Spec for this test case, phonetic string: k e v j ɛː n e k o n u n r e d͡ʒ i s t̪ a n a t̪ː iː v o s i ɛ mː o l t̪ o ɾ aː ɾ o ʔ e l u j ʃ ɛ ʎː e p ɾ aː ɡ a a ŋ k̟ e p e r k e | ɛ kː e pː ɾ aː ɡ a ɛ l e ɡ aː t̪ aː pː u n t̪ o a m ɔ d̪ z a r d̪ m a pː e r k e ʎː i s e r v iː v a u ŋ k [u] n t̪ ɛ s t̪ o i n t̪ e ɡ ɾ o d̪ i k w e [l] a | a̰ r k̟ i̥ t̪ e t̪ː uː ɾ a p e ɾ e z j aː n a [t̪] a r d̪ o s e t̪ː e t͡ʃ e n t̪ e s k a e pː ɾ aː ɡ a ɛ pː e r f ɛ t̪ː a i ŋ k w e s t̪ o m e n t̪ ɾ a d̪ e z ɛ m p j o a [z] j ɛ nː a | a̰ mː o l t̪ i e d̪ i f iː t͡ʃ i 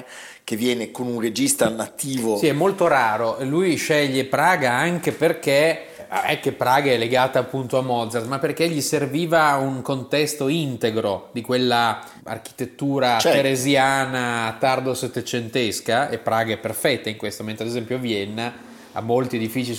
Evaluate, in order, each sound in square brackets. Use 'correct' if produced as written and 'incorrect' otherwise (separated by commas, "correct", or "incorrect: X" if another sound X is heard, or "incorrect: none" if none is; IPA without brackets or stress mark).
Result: incorrect: o, incorrect: lː, correct, incorrect: v